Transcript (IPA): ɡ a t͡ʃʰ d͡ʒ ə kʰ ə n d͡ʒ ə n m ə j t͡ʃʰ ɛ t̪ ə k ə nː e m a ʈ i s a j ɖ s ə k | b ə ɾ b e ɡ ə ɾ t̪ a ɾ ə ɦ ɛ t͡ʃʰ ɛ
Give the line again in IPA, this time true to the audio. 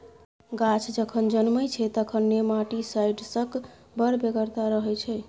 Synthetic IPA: ɡ a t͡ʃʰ d͡ʒ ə kʰ ə n d͡ʒ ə n m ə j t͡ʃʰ ɛ t̪ ə kʰ ə nː e m a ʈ i s a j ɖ s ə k | b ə ɾ b e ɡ ə ɾ t̪ a ɾ ə ɦ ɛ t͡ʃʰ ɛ